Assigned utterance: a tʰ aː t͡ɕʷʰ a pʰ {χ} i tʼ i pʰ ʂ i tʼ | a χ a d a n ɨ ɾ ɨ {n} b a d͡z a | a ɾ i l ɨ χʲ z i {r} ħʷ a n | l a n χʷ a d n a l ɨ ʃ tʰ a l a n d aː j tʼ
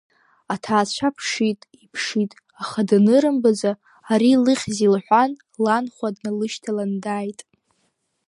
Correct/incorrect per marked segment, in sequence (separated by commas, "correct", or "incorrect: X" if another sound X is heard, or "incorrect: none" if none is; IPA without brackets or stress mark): incorrect: ʂ, incorrect: m, incorrect: l